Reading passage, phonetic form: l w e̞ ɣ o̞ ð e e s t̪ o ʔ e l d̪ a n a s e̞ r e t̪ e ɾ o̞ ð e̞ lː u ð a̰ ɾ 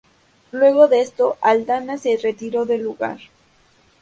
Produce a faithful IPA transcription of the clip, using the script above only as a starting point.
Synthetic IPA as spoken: l w e̞ ɣ o̞ ð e e s t̪ o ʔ a l d̪ a n a s e̞ r e t̪ i ɾ o̞ ð e̞ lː u ɣ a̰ ɾ

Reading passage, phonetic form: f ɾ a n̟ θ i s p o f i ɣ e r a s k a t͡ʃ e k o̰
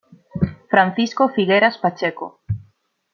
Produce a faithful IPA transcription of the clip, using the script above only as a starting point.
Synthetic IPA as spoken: f ɾ a n̟ θ i s k o f i ɣ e ɾ a s p a t͡ʃ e k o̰

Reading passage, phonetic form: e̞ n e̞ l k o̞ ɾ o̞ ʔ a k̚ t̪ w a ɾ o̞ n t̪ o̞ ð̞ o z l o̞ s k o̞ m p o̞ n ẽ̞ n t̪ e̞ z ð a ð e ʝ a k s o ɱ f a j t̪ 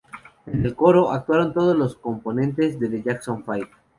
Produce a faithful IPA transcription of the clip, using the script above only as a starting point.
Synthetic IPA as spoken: e̞ n e̞ l k o̞ ɾ o̞ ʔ a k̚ t̪ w a ɾ o̞ n t̪ o̞ ð̞ o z l o̞ s k o̞ m p o̞ n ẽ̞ n t̪ e̞ z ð e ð e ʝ a k s o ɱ f a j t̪

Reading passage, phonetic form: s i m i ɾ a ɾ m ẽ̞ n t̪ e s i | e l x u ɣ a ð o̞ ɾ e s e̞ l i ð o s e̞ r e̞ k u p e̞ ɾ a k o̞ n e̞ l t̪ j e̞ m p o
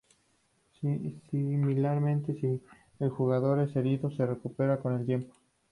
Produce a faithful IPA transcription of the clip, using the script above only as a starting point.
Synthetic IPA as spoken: s i m i l a ɾ m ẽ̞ n t̪ e s i | e l x u ɣ a ð o̞ ɾ e s e̞ ɾ i ð o s e̞ r e̞ k u p e̞ ɾ a k o̞ n e̞ l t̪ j e̞ m p o

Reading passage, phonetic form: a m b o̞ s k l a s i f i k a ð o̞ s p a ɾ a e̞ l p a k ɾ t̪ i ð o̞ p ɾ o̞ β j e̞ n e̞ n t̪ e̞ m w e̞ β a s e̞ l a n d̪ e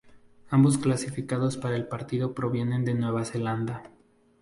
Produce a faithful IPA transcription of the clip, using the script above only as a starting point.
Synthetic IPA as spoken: a m b o̞ s k l a s i f i k a ð o̞ s p a ɾ a e̞ l p a ɾ t̪ i ð o̞ p ɾ o̞ β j e̞ n e̞ n d̪ e̞ n w e̞ β a s e̞ l a n d̪ a

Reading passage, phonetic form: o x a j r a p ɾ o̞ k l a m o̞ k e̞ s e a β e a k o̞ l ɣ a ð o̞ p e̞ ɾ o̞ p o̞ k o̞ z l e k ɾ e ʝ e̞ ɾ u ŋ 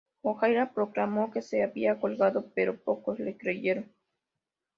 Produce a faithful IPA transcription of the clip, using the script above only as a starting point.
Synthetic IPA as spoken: o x a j ɾ a p ɾ o̞ k l a m o̞ k e̞ s e a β i a k o̞ l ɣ a ð o̞ p e̞ ɾ o̞ p o̞ k o̞ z l e k ɾ e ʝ e̞ ɾ o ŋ

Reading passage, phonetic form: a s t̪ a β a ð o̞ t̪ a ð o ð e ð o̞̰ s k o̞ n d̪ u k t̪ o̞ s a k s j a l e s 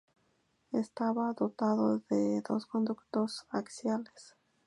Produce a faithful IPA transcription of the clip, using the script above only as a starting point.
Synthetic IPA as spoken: e s t̪ a β a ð o̞ t̪ a ð o ð e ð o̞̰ s k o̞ n d̪ u k t̪ o̞ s a k s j a l e s

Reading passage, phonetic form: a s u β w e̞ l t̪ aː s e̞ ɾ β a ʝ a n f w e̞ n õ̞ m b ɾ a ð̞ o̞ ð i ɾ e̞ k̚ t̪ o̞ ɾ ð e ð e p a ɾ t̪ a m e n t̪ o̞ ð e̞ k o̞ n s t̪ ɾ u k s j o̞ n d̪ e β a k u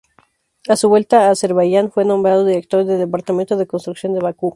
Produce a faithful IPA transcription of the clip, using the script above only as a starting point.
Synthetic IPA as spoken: a s u β w e̞ l t̪ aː s e̞ ɾ β a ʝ a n f w e̞ n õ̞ m b ɾ a ð̞ o̞ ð i ɾ e̞ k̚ t̪ o̞ ɾ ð e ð e p a ɾ t̪ a m e n t̪ o̞ ð e̞ k o̞ n s t̪ ɾ u k s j o̞ n d̪ e β a k u

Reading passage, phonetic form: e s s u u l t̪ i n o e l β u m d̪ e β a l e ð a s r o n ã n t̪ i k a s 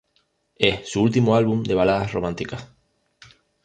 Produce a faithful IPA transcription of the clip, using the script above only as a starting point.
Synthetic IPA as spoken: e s s u u l t̪ i m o a l β u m d̪ e β a l a ð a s r o m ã n t̪ i k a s

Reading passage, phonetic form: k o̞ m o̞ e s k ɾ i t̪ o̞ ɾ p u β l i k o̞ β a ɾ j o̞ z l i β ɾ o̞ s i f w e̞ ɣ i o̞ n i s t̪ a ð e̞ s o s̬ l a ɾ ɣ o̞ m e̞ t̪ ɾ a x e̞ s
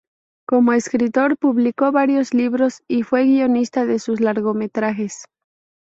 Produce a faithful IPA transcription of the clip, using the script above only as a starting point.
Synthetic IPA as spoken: k o̞ m o̞ e s k ɾ i t̪ o̞ ɾ p u β l i k o̞ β a ɾ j o̞ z l i β ɾ o̞ s i f w e̞ ɣ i o̞ n i s t̪ a ð e̞ s u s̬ l a ɾ ɣ o̞ m e̞ t̪ ɾ a x e̞ s

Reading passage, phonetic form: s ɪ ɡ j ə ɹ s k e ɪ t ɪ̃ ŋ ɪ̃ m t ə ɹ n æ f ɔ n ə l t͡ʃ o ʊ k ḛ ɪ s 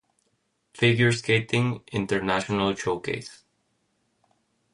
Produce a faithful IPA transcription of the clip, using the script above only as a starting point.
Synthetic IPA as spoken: f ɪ ɡ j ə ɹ s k e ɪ t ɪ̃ ŋ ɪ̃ n t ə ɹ n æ ʃ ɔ n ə l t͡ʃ o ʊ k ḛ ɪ s

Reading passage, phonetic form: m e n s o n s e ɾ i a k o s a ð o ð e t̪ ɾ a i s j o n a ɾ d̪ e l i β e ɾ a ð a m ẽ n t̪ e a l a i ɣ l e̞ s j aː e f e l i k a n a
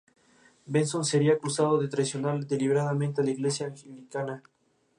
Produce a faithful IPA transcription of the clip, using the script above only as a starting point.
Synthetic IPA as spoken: b e n s o n s e ɾ i a k u s a ð o ð e t̪ ɾ a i s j o n a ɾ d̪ e l i β e ɾ a ð a m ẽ n t̪ e a l a i ɣ l e̞ s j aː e x e l i k a n a

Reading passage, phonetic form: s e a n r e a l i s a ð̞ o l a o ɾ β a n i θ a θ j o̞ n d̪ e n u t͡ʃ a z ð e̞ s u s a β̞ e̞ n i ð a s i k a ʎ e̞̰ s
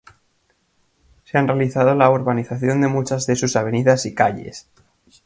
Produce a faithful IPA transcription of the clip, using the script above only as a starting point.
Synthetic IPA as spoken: s e a n r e a l i θ a ð̞ o l a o ɾ β a n i θ a θ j o̞ n d̪ e m u t͡ʃ a z ð e̞ s u s a β̞ e̞ n i ð a s i k a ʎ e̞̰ s

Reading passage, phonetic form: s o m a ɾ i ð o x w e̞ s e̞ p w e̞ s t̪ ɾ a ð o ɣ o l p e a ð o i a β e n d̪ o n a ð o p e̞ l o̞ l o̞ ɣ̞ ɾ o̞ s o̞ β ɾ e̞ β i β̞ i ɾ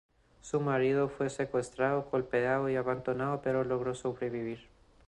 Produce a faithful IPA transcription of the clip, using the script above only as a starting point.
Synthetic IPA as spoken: s u m a ɾ i ð o f w e̞ s e̞ k w e̞ s t̪ ɾ a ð o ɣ o l p e a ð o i a β a n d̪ o n a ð o p e̞ ɾ o̞ l o̞ ɣ̞ ɾ o̞ s o̞ β ɾ e̞ β i β̞ i ɾ

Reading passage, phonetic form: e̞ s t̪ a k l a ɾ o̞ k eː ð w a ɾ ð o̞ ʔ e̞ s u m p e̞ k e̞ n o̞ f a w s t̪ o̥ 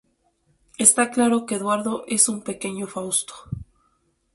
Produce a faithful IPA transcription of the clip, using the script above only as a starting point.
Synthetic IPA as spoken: e̞ s t̪ a k l a ɾ o̞ k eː ð w a ɾ ð o̞ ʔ e̞ s u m p e̞ k e̞ ɲ o̞ f a w s t̪ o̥

